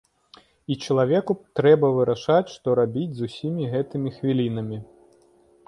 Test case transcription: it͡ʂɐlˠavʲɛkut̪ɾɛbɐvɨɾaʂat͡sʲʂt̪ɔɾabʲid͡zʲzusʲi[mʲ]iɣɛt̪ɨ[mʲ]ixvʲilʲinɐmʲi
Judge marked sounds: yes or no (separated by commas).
yes, yes